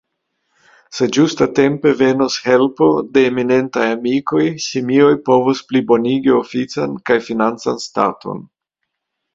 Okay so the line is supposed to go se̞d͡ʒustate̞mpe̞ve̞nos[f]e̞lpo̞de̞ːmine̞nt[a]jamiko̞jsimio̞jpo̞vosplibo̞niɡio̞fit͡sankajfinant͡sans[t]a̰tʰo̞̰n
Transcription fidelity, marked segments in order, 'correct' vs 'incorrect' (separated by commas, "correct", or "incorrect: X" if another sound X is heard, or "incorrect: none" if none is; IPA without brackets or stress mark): incorrect: h, correct, correct